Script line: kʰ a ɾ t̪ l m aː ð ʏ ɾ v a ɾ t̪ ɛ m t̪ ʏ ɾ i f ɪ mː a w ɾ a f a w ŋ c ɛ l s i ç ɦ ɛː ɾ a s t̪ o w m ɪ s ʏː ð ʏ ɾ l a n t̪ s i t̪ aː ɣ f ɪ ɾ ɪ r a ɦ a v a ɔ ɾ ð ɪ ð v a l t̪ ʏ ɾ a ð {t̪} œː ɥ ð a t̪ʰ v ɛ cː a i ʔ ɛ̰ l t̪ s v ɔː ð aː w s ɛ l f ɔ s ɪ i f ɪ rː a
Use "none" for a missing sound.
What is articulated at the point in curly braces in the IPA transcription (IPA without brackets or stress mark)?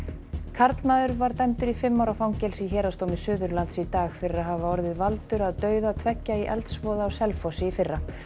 t̪